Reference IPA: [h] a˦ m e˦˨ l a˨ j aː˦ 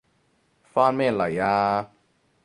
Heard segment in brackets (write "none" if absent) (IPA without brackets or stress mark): f